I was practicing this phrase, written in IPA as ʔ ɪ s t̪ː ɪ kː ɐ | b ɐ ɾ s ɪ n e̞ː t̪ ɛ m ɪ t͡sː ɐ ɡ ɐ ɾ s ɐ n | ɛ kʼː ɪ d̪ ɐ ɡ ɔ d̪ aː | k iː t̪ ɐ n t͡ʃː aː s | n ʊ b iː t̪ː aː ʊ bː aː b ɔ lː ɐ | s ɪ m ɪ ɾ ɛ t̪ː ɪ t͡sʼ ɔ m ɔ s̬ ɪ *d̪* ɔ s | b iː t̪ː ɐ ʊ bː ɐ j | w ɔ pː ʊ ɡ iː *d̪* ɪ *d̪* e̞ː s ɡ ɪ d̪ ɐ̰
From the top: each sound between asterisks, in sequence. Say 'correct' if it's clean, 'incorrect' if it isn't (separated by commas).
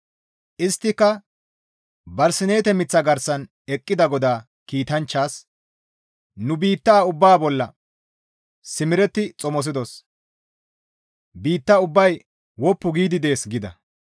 correct, correct, correct